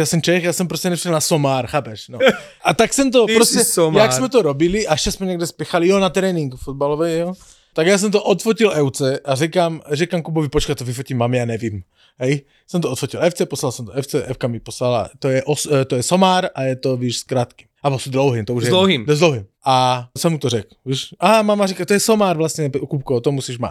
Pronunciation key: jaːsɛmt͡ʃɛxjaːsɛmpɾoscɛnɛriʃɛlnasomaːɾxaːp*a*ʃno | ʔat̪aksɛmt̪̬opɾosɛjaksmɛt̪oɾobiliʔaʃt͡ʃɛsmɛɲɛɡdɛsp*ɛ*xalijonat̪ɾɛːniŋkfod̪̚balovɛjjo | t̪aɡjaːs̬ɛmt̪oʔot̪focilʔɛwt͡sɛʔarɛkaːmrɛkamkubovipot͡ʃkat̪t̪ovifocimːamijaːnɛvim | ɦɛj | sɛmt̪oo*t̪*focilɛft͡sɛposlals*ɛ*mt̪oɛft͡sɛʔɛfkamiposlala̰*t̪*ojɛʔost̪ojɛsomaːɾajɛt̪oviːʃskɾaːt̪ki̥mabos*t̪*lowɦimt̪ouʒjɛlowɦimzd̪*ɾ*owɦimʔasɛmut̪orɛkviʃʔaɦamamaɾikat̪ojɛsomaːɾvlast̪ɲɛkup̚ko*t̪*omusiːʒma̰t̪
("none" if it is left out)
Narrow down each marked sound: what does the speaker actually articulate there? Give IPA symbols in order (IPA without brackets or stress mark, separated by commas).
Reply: ɛ, ɛ, t̪, ɛ, t̪, d̪, l, t̪